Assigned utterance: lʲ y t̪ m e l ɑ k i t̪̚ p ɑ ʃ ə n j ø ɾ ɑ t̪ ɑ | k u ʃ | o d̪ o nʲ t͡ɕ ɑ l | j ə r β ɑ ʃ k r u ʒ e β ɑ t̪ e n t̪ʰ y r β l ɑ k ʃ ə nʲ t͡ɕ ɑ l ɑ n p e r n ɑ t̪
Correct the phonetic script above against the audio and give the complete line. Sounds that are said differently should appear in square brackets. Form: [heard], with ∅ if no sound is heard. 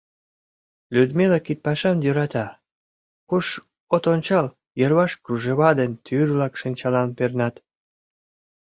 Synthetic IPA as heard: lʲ y [d̪] m e l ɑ k i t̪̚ p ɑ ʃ [ɑ] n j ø ɾ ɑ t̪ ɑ | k u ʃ | o [t̪] o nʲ t͡ɕ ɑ l | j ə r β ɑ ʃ k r u ʒ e β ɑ [d̪] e n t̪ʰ y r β l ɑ k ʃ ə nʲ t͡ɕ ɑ l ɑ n p e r n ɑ t̪

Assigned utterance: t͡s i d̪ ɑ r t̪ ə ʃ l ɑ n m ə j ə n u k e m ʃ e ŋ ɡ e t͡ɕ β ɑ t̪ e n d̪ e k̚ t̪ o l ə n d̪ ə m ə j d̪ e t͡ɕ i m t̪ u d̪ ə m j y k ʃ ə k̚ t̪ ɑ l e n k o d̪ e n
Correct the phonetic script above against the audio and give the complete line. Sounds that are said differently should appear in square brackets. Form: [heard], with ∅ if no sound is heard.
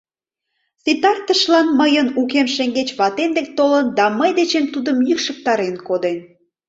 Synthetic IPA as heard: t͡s i [t̪] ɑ r t̪ ə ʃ l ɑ n m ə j ə n u k e m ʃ e ŋ ɡ e t͡ɕ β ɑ t̪ e n d̪ e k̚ t̪ o l ə n d̪ [ɑ] m ə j d̪ e t͡ɕ [e] m t̪ u d̪ ə m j y k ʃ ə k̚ t̪ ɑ [ɾ] e n k o d̪ e n

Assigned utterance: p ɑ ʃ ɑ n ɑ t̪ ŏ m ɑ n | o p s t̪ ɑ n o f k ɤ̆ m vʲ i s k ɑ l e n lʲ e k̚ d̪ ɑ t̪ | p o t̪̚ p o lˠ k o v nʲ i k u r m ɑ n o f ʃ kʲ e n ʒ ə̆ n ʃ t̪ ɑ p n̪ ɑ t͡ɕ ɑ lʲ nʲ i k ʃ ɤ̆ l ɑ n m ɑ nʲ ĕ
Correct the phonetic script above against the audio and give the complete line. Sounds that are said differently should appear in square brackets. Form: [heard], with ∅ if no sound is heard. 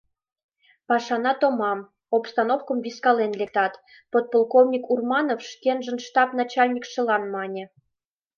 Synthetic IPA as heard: p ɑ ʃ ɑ n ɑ t̪ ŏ m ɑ [m] | o p s t̪ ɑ n o f k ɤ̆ m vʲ i s k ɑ l e n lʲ e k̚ [t̪] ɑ t̪ | p o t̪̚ p o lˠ k o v nʲ i k u r m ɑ n o f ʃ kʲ e n ʒ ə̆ n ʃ t̪ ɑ p n̪ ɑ t͡ɕ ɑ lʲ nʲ i k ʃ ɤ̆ l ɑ n m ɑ nʲ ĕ

